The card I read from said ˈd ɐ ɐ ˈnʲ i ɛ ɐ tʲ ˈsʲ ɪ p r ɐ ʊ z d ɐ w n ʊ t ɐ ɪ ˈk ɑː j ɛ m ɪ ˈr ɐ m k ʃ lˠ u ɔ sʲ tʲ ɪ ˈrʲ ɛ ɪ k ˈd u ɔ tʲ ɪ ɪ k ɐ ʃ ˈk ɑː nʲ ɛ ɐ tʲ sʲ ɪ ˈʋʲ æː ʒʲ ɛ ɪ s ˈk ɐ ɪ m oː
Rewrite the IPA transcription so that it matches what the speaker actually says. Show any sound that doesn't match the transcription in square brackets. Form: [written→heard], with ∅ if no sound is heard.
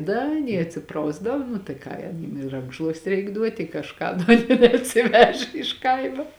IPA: ˈd ɐ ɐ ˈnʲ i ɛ ɐ tʲ ˈsʲ ɪ p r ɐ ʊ z d ɐ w n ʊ t ɐ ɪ ˈk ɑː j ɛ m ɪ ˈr ɐ [m→ŋ] k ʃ lˠ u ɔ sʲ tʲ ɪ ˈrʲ ɛ ɪ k ˈd u ɔ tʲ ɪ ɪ k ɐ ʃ ˈk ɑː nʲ ɛ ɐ tʲ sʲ ɪ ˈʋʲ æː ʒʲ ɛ ɪ [s→ʃ] ˈk ɐ ɪ m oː

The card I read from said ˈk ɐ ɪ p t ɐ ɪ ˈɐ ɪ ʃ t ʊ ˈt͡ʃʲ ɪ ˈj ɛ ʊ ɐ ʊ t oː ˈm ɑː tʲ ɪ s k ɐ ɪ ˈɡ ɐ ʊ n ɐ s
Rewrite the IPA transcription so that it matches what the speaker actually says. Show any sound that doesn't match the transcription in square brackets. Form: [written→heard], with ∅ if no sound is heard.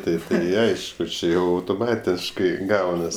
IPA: [ˈk→ˈt] ɐ ɪ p t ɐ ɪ ˈɐ ɪ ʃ [t→k] ʊ ˈt͡ʃʲ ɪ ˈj ɛ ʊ ɐ ʊ t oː ˈm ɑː tʲ ɪ [s→ʃ] k ɐ ɪ ˈɡ ɐ ʊ n ɐ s

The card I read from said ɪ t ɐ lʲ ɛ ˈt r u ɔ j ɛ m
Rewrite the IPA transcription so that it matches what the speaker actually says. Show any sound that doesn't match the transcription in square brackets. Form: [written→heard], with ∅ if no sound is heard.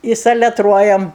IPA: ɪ [t→s] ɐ lʲ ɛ ˈt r u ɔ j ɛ m

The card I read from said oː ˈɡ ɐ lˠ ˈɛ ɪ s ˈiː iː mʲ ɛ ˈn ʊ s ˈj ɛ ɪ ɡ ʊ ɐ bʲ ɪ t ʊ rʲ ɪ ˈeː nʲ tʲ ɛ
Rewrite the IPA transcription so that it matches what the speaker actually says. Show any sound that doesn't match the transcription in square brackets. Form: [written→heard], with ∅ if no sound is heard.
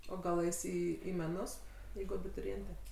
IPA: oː ˈɡ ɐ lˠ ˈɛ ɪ s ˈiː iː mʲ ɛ ˈn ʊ s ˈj ɛ ɪ ɡ ʊ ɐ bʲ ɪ t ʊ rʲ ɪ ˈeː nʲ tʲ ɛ

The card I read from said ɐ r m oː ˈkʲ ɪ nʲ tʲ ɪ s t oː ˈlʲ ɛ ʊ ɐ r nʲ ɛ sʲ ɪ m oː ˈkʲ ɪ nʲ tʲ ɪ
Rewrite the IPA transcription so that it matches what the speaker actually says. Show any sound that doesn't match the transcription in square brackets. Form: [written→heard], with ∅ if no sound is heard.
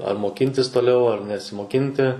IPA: ɐ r m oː ˈkʲ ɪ nʲ tʲ ɪ s t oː ˈlʲ ɛ ʊ ɐ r nʲ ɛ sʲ ɪ m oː ˈkʲ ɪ nʲ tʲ ɪ

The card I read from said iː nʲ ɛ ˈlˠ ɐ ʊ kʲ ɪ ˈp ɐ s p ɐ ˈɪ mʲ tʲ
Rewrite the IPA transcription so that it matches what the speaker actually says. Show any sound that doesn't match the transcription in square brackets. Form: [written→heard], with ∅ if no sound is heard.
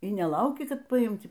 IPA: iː nʲ ɛ ˈlˠ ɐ ʊ kʲ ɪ [ˈp→ˈk] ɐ [s→t] p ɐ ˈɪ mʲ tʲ

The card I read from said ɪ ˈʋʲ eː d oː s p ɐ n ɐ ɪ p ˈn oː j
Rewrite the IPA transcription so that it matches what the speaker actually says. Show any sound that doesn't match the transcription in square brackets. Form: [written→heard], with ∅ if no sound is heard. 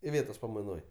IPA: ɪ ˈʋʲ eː [d→t] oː s p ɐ [n→m] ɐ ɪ [p→∅] ˈn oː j

